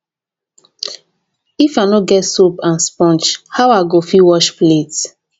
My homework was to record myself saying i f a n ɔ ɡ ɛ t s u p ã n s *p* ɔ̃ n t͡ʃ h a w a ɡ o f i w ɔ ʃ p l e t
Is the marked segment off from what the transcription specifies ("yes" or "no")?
no